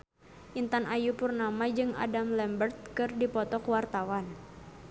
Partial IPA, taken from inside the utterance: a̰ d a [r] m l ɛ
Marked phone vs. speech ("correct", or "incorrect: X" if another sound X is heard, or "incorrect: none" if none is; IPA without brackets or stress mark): incorrect: none